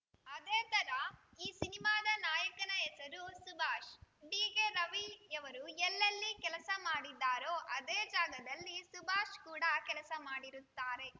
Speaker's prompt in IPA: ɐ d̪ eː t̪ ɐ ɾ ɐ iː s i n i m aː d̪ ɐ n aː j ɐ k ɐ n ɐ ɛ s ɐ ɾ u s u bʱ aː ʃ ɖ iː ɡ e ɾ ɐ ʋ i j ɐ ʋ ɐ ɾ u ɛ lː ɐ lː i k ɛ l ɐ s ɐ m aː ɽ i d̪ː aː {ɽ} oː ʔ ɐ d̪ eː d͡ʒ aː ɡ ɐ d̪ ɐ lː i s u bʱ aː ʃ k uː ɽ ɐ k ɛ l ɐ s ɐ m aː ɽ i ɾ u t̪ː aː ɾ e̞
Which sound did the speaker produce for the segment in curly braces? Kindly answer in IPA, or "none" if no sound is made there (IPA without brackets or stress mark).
ɾ